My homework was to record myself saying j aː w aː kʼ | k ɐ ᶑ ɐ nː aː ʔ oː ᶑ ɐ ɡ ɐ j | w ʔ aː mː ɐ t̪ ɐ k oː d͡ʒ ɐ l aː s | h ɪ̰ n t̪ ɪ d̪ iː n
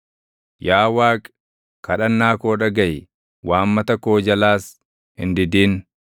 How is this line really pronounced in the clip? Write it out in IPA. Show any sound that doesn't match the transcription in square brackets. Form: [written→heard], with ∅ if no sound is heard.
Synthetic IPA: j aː w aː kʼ | k ɐ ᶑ ɐ nː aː [ʔ→k] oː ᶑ ɐ ɡ ɐ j | w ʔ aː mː ɐ t̪ ɐ k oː d͡ʒ ɐ l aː s | h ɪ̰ n [t̪→d̪] ɪ d̪ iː n